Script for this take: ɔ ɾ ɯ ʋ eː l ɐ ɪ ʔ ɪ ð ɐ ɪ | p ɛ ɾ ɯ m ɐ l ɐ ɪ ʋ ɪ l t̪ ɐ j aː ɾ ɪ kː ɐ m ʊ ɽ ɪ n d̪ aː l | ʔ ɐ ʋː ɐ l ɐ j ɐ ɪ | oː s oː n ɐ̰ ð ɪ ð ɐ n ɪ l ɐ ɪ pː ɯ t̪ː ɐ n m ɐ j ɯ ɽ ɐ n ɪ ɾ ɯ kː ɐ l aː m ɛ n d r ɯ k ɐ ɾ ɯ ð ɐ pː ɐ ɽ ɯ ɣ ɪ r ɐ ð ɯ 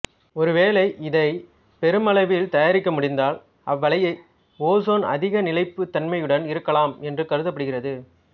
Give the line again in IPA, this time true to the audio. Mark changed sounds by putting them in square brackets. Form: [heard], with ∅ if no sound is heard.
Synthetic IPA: ɔ ɾ ɯ ʋ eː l ɐ ɪ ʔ ɪ ð ɐ ɪ | p ɛ ɾ ɯ m ɐ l ɐ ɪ ʋ ɪ l t̪ ɐ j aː ɾ ɪ kː ɐ m ʊ ɽ ɪ n d̪ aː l | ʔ ɐ ʋː ɐ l ɐ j ɐ ɪ | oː s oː n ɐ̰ ð ɪ [ɣ] ɐ n ɪ l ɐ ɪ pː ɯ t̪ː ɐ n m ɐ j ɯ ɽ ɐ n ɪ ɾ ɯ kː ɐ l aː m ɛ n d r ɯ k ɐ ɾ ɯ ð ɐ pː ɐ ɽ ɯ ɣ ɪ r ɐ ð ɯ

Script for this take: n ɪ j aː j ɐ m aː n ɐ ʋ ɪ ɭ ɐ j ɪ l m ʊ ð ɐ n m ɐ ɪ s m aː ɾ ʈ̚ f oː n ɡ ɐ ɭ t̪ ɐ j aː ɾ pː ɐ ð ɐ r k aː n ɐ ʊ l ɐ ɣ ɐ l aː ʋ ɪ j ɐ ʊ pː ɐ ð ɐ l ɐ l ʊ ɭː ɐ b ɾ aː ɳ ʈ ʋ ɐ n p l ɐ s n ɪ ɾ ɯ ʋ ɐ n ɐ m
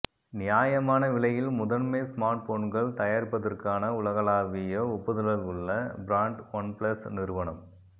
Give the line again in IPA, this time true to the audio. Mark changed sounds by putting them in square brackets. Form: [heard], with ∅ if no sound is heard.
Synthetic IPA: n ɪ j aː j ɐ m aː n ɐ ʋ ɪ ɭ ɐ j ɪ l m ʊ ð ɐ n m ɐ ɪ s m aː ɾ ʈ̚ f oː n ɡ ɐ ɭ t̪ ɐ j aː ɾ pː ɐ ð ɐ r k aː n ɐ ʊ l ɐ ɣ ɐ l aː ʋ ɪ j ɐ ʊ pː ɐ ð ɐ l ɐ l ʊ ɭː ɐ b ɾ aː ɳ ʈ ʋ ɐ n p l ɐ s n ɪ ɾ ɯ ʋ ɐ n ɐ m

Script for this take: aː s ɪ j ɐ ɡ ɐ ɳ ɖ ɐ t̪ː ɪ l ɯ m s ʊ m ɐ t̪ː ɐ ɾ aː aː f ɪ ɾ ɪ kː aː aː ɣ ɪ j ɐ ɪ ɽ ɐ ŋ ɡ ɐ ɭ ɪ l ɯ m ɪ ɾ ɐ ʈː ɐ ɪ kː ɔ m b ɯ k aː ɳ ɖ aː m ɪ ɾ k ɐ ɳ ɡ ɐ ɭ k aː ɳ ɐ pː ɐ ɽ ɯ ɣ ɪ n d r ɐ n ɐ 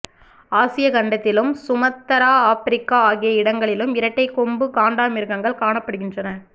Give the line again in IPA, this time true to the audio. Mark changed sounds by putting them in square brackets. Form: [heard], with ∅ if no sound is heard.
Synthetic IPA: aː s ɪ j ɐ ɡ ɐ ɳ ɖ ɐ t̪ː ɪ l ɯ m s ʊ m ɐ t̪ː ɐ ɾ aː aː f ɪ ɾ ɪ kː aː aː ɣ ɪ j ɐ ɪ ɽ ɐ ŋ ɡ ɐ ɭ ɪ l ɯ m ɪ ɾ ɐ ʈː ɐ ɪ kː ɔ m b ɯ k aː ɳ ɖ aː m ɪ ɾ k ɐ [ŋ] ɡ ɐ ɭ k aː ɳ ɐ pː ɐ ɽ ɯ ɣ ɪ n d r ɐ n ɐ

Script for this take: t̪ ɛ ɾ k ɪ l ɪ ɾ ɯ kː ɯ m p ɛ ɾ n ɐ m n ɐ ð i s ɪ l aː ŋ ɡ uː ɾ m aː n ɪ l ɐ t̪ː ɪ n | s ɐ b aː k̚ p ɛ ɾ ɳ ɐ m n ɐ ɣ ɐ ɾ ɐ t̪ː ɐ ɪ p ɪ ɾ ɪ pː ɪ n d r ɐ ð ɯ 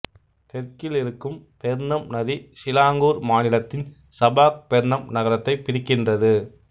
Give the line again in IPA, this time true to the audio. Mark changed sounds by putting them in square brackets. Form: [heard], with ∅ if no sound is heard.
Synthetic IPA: t̪ ɛ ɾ k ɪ l ɪ ɾ ɯ kː ɯ m p ɛ ɾ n ɐ m n ɐ ð i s ɪ l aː ŋ ɡ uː ɾ m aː n ɪ l ɐ t̪ː ɪ n | s ɐ b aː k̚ p ɛ ɾ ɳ ɐ m n ɐ ɣ ɐ ɾ ɐ t̪ː ɐ ɪ p ɪ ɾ ɪ [kː] ɪ n d r ɐ ð ɯ

